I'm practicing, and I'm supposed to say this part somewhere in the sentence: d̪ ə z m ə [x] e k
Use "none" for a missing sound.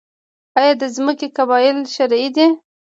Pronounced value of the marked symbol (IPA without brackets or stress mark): k